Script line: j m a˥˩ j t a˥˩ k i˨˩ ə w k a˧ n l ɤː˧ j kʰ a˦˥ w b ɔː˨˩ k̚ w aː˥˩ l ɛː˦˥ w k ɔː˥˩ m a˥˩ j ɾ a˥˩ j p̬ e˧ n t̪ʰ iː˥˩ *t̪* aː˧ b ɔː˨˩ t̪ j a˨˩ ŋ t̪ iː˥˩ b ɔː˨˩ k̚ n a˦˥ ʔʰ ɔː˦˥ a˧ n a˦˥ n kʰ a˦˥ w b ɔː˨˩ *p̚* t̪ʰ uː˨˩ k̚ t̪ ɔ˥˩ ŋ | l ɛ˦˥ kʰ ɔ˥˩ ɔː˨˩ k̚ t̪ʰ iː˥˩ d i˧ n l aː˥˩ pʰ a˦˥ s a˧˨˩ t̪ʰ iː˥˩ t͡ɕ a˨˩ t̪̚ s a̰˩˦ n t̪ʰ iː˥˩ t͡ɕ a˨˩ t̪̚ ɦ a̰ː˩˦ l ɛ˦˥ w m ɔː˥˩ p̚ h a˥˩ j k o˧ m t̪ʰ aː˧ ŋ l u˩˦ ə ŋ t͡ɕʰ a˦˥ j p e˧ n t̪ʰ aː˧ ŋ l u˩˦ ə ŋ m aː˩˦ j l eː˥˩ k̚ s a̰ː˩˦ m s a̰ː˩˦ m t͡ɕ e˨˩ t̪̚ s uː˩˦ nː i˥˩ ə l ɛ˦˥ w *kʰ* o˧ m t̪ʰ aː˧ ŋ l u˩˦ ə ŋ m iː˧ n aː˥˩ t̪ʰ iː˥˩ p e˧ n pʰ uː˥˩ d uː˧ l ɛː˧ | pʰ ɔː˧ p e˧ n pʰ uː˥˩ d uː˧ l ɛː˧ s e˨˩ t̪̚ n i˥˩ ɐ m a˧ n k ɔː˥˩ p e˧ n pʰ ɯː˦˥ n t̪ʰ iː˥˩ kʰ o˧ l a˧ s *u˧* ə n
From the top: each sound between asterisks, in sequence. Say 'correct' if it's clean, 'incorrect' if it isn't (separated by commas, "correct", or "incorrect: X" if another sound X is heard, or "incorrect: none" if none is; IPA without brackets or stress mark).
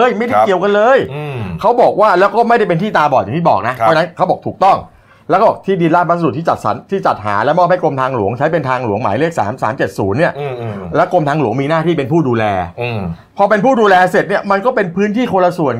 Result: correct, incorrect: k̚, incorrect: k, incorrect: u˨˩